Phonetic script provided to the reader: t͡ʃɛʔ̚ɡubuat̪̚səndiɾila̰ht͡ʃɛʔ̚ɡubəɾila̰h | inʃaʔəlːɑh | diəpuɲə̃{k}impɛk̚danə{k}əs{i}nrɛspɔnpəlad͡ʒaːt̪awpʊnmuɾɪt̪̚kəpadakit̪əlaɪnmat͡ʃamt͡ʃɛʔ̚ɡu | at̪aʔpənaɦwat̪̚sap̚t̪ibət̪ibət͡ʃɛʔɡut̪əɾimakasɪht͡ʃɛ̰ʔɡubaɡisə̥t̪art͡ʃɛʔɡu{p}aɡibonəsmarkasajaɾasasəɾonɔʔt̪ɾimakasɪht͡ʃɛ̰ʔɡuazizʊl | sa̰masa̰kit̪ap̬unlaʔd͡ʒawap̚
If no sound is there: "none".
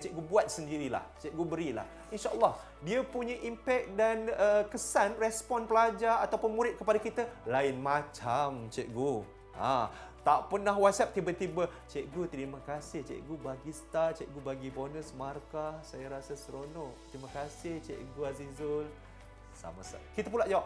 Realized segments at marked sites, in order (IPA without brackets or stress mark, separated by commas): ʔ, k, a, b